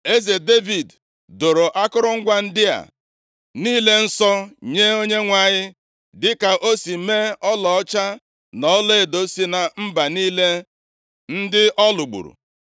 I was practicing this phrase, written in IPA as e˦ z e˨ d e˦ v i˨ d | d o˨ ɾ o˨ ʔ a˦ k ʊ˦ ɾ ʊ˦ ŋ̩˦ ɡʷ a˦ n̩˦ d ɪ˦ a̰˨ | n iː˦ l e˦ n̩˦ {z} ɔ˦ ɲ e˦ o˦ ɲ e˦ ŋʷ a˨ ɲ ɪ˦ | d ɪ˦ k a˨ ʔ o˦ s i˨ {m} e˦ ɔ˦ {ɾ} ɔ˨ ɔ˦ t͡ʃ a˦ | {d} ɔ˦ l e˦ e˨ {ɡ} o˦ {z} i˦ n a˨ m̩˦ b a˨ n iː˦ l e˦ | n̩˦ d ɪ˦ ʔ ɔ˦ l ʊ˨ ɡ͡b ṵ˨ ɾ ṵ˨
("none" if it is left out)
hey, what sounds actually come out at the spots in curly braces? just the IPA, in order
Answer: s, m, l, n, d, s

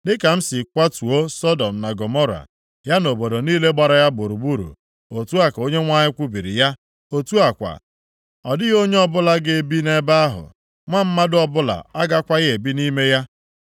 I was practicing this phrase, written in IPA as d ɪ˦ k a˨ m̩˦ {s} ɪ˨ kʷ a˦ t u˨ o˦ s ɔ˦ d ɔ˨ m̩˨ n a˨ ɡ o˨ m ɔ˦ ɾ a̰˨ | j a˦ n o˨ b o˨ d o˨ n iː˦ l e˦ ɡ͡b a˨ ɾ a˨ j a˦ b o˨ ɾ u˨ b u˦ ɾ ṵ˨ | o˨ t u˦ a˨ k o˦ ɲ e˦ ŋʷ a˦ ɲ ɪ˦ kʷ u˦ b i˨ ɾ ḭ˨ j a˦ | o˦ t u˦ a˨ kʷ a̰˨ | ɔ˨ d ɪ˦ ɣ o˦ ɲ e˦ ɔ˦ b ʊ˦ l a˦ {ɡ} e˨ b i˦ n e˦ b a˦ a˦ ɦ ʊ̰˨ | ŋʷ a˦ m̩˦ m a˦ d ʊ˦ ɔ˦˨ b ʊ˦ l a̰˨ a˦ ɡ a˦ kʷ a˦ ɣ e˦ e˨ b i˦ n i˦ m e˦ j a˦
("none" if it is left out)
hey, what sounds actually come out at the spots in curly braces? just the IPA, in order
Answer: s, ɡ

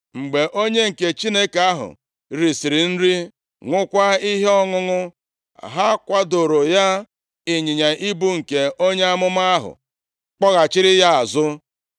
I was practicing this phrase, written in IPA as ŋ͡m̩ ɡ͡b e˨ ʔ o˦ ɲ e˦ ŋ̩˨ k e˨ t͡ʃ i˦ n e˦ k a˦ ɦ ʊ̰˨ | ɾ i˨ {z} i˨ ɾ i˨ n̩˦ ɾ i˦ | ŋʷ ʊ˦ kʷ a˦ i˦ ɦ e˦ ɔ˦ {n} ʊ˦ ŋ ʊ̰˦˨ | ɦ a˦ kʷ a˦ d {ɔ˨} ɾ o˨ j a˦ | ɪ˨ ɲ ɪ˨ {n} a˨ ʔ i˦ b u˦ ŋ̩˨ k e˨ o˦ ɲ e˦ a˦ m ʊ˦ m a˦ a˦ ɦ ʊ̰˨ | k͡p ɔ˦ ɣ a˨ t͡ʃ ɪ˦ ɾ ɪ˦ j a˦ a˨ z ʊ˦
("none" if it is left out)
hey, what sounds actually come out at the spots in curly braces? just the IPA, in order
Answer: s, ŋ, o˨, ɲ

